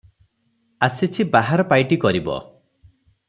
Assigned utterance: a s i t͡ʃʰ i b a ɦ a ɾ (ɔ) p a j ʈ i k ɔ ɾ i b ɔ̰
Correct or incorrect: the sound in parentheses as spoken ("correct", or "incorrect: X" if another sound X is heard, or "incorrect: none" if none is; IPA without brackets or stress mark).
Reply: correct